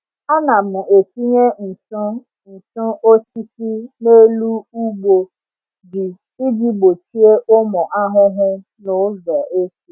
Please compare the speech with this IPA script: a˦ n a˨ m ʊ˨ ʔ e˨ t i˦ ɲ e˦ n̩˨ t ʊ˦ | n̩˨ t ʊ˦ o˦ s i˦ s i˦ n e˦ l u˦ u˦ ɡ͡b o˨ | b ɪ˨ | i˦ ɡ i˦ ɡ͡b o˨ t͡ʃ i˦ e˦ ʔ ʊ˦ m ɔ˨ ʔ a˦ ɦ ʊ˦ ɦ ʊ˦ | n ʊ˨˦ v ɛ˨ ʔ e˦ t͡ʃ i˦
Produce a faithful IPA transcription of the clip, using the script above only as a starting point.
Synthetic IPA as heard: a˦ n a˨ m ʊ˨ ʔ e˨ t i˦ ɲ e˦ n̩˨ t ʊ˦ | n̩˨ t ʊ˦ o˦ s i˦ s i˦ n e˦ l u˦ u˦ ɡ͡b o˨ | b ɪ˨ | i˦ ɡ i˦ ɡ͡b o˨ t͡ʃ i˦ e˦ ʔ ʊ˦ m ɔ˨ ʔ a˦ ɦ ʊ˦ ɦ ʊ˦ | n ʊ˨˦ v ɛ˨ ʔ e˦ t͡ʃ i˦